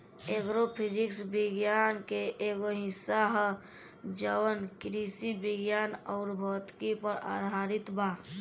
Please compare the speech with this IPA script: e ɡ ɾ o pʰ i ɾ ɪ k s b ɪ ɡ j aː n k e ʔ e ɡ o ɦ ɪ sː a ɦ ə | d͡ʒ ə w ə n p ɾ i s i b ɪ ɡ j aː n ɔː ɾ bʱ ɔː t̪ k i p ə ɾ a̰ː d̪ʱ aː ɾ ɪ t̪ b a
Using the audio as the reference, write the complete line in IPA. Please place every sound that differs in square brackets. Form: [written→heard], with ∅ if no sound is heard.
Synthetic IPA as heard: e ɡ ɾ o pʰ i ɾ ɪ k s b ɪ ɡ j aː n k e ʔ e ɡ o ɦ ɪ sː a ɦ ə | d͡ʒ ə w ə n [p→k] ɾ i s i b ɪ ɡ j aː n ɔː ɾ bʱ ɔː t̪ k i p ə ɾ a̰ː d̪ʱ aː ɾ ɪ t̪ b a